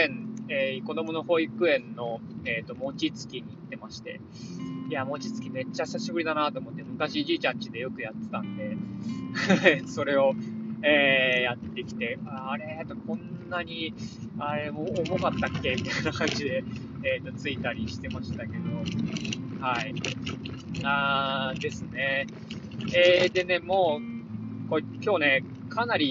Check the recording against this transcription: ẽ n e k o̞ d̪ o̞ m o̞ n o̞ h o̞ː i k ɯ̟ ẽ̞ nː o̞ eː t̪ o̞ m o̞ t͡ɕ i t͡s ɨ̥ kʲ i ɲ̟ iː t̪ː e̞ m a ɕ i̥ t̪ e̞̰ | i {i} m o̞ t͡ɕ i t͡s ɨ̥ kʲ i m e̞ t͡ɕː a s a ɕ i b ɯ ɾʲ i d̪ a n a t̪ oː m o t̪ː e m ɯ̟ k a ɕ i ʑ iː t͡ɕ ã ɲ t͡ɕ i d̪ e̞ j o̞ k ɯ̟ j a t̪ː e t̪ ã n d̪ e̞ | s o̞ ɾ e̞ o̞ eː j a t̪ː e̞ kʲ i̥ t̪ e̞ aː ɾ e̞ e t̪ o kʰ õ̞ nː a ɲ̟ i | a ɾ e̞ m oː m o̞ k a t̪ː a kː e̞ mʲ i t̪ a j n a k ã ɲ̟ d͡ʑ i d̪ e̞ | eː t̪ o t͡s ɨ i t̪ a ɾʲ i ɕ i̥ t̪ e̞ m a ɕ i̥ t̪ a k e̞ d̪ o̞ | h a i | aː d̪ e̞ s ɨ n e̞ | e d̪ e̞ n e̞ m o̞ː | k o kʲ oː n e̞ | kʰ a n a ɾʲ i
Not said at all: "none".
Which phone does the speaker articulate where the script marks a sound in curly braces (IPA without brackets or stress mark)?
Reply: a